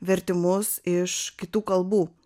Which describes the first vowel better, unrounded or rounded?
unrounded